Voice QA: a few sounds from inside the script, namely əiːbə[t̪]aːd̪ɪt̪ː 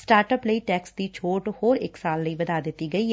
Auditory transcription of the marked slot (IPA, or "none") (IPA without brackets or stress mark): d̪